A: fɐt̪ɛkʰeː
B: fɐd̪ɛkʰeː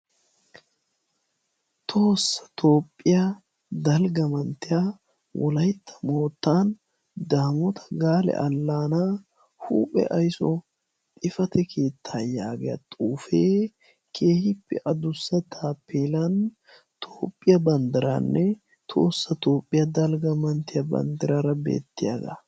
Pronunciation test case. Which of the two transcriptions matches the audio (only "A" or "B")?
A